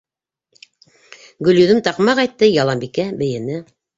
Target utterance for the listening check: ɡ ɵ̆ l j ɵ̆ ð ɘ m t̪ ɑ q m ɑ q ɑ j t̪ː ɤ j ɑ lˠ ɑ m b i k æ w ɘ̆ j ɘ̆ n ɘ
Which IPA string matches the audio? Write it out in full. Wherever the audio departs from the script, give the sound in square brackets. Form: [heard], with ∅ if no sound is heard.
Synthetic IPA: ɡ ɵ̆ l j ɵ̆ ð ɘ m t̪ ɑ q m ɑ q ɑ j t̪ː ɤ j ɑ lˠ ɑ m b i k æ [b] ɘ̆ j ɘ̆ n ɘ